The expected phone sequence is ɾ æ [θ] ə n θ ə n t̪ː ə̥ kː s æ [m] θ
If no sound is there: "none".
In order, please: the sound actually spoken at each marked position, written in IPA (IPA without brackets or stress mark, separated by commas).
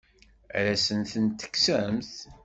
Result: s, m